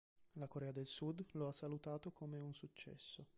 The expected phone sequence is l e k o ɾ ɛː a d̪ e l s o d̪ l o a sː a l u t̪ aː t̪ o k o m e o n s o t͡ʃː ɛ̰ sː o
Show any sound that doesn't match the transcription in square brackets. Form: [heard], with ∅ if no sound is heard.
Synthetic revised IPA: l [a] k o ɾ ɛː a d̪ e l s [u] d̪ l o a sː a l u t̪ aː t̪ o k o m e [u] n s [u] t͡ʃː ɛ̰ sː o